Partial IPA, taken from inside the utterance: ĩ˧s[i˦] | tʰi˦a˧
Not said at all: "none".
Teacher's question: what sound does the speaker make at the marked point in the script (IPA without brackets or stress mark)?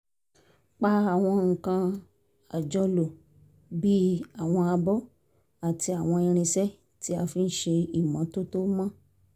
ɛ˦